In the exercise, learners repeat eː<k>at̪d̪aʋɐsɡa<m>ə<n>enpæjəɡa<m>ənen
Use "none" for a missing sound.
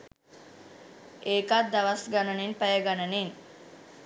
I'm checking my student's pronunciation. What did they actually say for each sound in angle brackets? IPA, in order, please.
k, n, n, n

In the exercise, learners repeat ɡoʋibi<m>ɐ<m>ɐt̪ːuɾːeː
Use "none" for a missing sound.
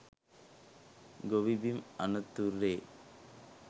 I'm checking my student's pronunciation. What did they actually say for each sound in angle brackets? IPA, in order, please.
m, n

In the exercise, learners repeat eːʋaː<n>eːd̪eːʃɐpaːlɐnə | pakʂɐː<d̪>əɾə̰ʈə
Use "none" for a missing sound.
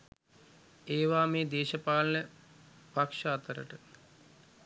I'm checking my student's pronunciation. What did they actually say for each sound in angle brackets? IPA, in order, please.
m, t̪

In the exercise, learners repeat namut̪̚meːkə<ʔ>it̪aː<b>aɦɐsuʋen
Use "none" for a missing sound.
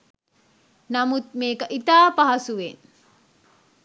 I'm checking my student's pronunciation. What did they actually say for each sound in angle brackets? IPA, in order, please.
ʔ, p

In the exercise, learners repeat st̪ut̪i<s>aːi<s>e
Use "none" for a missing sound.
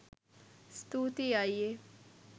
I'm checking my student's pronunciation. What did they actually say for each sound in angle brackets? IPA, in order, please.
none, none

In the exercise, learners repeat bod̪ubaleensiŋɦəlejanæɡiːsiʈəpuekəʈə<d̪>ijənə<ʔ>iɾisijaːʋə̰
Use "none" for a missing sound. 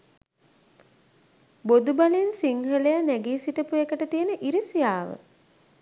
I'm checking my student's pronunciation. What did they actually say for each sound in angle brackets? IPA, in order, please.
t̪, ʔ

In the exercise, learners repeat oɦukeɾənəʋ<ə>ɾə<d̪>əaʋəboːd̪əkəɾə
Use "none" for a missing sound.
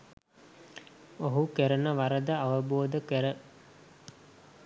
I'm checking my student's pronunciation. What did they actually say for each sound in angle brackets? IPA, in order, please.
a, d̪

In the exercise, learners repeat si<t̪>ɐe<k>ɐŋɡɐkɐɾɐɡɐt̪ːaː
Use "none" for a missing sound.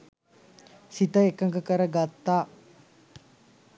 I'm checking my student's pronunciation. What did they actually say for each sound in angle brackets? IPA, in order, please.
t̪, k

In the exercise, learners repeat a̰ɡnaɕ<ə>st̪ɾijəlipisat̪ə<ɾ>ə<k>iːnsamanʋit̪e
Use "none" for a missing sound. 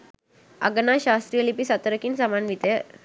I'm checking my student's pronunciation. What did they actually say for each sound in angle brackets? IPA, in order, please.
a, ɾ, k

